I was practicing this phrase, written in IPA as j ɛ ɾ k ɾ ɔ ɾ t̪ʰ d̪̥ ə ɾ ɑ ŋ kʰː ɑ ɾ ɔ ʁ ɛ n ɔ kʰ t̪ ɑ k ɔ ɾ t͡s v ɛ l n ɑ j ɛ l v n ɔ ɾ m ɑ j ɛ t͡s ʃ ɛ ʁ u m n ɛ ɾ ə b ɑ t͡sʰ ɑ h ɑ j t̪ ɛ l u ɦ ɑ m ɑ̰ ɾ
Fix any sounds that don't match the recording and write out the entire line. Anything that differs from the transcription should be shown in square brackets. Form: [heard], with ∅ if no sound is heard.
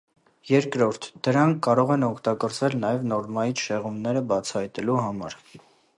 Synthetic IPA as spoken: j ɛ ɾ k ɾ ɔ ɾ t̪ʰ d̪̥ ə ɾ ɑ ŋ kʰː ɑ ɾ ɔ ʁ ɛ n ɔ kʰ t̪ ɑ k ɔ ɾ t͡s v ɛ l n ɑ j ɛ [∅] v n ɔ ɾ m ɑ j [i] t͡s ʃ ɛ ʁ u m n ɛ ɾ ə b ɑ t͡sʰ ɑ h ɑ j t̪ ɛ l u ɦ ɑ m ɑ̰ ɾ